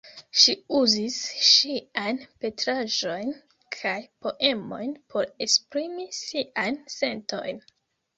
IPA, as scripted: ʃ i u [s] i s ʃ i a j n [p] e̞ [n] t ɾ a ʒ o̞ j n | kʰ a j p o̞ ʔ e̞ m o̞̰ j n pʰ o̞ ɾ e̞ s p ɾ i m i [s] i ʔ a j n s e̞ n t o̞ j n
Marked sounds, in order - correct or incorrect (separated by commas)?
incorrect, correct, incorrect, correct